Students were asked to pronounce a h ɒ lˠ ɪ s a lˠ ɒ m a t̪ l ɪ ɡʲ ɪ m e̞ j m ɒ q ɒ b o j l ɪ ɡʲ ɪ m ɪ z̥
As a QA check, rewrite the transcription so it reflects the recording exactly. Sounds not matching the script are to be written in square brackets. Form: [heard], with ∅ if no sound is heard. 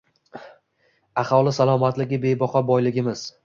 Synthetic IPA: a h ɒ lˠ ɪ s a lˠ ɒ m a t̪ l ɪ ɡʲ ɪ [b] e̞ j [b] ɒ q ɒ b [ɒ] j l ɪ ɡʲ ɪ m ɪ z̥